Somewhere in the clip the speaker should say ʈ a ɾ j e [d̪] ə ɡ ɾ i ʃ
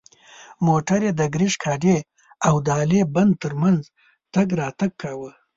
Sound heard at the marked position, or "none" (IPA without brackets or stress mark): d̪